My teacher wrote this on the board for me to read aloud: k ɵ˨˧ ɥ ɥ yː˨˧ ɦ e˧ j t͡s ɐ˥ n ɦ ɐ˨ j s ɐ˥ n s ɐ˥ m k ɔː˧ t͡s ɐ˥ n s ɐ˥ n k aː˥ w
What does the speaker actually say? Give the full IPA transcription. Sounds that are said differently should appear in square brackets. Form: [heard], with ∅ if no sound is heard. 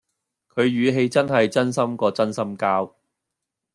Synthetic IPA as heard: [kʰ] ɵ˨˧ ɥ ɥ yː˨˧ ɦ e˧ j t͡s ɐ˥ n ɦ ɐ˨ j [t͡s] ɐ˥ n s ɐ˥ m k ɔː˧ t͡s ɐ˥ n s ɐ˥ [m] k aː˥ w